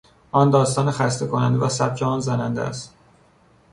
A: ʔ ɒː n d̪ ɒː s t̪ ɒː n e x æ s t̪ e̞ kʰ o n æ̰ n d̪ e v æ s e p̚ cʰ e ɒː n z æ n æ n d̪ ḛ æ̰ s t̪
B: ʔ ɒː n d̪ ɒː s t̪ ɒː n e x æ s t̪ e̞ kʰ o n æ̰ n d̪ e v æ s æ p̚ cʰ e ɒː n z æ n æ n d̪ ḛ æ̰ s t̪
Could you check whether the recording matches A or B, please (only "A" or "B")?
B